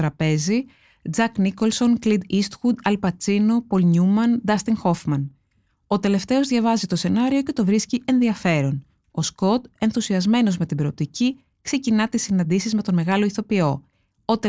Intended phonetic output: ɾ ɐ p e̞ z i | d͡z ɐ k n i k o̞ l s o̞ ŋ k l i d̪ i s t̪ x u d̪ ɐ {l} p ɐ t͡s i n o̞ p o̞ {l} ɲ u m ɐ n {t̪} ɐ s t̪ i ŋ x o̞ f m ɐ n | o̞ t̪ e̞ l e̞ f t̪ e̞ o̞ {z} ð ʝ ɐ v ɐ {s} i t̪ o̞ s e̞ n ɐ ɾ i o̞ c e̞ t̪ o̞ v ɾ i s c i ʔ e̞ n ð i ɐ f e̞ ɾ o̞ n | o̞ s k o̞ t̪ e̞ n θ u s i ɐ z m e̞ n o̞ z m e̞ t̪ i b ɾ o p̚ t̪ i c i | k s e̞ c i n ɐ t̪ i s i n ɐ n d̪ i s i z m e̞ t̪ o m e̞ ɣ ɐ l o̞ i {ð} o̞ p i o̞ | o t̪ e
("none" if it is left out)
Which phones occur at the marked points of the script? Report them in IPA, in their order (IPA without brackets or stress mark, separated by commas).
l, l, d̪, z, z, θ